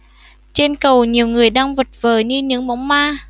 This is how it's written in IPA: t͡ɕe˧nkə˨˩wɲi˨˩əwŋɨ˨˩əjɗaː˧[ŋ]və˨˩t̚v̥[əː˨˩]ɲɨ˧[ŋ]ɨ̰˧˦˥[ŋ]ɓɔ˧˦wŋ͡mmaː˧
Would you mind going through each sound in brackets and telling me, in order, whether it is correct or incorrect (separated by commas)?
correct, correct, incorrect, correct